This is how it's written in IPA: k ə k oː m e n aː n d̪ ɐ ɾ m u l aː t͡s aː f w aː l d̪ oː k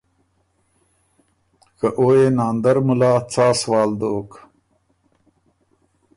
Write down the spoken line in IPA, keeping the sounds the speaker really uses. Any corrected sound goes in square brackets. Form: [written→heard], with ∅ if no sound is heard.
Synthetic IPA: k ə [k→ʔ] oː [m→∅] e n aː n d̪ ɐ ɾ m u l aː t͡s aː [f→s] w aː l d̪ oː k